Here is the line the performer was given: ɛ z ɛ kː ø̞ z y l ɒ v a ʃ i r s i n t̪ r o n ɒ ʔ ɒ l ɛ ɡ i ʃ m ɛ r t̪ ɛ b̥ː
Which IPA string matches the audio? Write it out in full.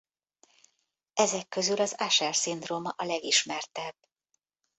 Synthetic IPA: ɛ z ɛ kː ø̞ z y l ɒ z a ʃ ɛ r s i n d̪ r o m ɒ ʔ ɒ l ɛ ɡ i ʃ m ɛ r t̪ ɛ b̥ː